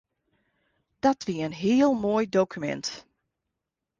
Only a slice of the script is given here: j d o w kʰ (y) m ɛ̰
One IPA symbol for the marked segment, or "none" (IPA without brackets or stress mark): y